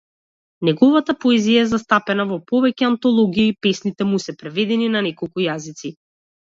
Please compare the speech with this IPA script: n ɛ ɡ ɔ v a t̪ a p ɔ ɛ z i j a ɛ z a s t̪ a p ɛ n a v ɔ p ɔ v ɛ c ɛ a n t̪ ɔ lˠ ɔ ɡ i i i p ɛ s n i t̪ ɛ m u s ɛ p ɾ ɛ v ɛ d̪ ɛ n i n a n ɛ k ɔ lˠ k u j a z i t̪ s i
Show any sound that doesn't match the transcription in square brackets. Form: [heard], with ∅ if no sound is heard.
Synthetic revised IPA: n ɛ ɡ ɔ v a t̪ a p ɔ ɛ z i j a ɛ z a s t̪ a p ɛ n a v ɔ p ɔ v ɛ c ɛ a n t̪ ɔ lˠ ɔ ɡ i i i p ɛ s n i t̪ ɛ m u s ɛ p ɾ ɛ v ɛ d̪ ɛ n i n a n ɛ k ɔ lˠ k u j a z i t̪ s i